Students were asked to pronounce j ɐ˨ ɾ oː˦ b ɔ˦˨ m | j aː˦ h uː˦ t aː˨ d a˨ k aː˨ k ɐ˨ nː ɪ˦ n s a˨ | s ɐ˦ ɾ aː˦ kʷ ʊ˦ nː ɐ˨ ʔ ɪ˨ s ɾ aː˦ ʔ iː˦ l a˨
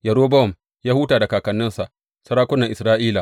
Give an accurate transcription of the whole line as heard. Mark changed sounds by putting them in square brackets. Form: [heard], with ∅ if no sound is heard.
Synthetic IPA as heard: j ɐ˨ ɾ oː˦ b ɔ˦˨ m | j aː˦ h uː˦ t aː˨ d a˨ k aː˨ k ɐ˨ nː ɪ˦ n s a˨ | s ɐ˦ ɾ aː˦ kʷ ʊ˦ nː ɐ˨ ʔ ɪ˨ s ɾ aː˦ ʔ iː˦ l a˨